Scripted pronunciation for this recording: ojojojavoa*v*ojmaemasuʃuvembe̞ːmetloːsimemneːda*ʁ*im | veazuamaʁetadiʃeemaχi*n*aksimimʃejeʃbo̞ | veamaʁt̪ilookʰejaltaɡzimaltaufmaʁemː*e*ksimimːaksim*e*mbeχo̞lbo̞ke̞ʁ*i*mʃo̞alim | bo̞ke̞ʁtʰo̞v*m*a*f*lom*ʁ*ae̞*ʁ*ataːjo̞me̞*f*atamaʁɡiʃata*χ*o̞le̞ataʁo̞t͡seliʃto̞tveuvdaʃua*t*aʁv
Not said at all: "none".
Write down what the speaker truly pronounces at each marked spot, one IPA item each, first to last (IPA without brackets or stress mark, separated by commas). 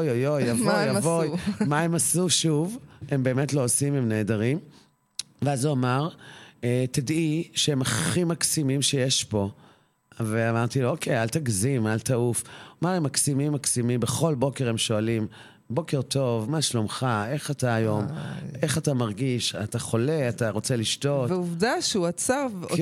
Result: v, ʁ, m, a, i, e, m, ʃ, χ, χ, χ, χ, t͡s